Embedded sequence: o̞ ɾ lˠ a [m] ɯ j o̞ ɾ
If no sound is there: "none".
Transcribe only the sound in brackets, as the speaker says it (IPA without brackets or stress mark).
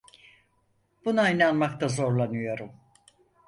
n